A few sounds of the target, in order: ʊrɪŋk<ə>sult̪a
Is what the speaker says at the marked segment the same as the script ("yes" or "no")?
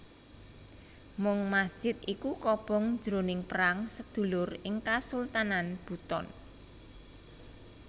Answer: no